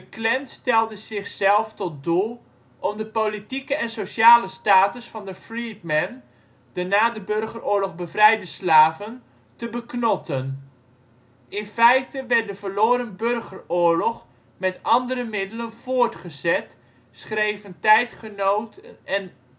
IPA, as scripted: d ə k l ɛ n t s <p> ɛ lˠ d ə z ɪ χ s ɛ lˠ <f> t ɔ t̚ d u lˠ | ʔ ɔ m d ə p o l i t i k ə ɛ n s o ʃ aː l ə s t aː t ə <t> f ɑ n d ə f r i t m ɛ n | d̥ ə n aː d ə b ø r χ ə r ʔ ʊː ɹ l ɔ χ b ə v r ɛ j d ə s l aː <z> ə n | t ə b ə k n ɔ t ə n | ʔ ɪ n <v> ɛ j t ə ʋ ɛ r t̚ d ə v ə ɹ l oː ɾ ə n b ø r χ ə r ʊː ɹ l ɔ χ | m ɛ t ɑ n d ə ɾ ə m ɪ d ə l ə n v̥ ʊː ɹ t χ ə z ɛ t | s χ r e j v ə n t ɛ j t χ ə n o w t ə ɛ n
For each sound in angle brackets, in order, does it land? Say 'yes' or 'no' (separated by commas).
no, yes, no, no, no